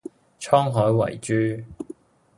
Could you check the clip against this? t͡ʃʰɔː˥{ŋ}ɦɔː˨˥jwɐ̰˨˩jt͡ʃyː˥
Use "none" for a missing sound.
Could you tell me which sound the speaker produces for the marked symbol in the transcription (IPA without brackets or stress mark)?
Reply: ŋ